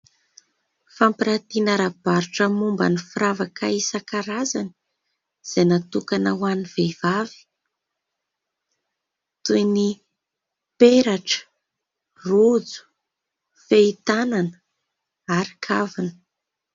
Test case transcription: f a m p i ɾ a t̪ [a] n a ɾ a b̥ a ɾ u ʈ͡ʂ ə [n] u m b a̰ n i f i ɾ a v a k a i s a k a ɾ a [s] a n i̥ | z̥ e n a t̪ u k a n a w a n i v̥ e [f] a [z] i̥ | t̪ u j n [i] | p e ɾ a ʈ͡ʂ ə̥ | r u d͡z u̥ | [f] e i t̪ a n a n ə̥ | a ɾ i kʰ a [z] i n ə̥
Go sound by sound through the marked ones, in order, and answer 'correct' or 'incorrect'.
incorrect: i, incorrect: m, incorrect: z, incorrect: v, incorrect: v, correct, correct, incorrect: v

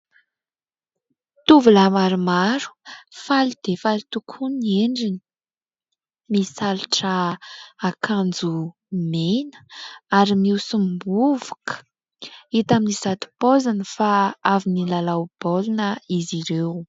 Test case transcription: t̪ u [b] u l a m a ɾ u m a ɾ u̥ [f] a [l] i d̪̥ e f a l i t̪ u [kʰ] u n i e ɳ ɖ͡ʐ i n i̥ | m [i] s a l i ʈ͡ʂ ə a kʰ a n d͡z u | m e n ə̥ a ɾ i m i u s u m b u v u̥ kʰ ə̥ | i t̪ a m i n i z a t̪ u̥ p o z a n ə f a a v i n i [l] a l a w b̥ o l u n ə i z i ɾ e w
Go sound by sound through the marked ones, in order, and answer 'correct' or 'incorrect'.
incorrect: v, correct, correct, correct, correct, correct

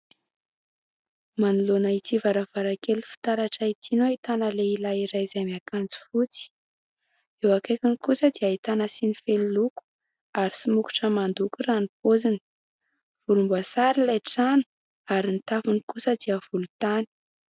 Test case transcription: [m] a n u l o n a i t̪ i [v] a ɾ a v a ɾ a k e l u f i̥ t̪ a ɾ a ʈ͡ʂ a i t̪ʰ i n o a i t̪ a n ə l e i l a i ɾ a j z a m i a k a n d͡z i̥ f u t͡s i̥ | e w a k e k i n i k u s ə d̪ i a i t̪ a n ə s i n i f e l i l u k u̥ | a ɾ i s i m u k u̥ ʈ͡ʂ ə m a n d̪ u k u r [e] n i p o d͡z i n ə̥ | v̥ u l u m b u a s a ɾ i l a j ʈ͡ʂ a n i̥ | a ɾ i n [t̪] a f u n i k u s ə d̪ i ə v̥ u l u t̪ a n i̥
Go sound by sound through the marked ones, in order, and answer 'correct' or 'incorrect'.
correct, correct, incorrect: a, correct

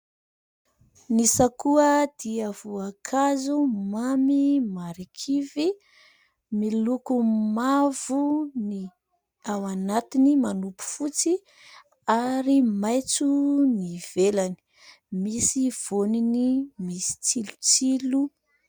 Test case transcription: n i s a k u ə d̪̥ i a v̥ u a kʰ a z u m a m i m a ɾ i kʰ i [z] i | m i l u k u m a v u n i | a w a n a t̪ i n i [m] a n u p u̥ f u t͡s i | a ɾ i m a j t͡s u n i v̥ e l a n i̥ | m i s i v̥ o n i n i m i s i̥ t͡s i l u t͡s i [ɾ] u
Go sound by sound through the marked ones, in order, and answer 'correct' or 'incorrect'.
incorrect: v, correct, incorrect: l

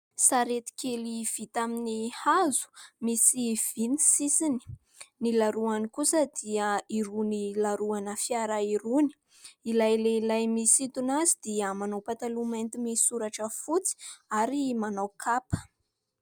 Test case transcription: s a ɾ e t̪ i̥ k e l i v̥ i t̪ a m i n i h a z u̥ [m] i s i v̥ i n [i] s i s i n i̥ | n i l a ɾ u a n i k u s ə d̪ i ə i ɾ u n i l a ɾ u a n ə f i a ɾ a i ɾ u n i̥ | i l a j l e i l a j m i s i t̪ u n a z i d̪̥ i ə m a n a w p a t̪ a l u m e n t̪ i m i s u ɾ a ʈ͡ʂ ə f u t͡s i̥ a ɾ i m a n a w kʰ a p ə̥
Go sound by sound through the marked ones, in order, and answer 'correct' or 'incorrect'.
correct, correct

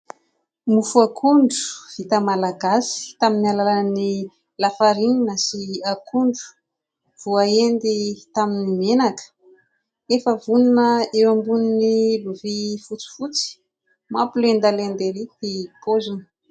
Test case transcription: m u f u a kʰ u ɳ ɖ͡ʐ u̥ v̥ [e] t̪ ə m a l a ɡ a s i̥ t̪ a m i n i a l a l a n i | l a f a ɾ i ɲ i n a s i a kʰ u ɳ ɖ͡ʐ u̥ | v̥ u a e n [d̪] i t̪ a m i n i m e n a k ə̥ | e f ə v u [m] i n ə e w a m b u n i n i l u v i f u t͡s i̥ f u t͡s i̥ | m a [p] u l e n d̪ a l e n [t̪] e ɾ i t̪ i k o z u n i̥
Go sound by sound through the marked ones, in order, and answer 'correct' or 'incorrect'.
incorrect: i, correct, incorrect: n, correct, incorrect: d̪

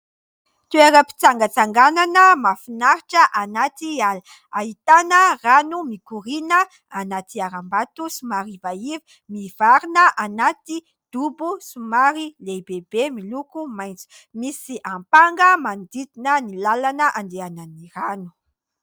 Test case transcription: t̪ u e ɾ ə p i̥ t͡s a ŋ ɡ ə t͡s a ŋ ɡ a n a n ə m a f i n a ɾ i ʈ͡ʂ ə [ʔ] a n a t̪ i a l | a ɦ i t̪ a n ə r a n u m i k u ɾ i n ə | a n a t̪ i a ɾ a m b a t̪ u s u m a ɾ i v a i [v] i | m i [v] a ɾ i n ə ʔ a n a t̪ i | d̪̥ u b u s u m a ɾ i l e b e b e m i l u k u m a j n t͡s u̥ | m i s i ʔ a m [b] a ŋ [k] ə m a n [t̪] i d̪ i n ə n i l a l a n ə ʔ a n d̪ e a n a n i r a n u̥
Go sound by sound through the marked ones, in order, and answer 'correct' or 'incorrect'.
correct, correct, correct, incorrect: p, incorrect: ɡ, incorrect: d̪

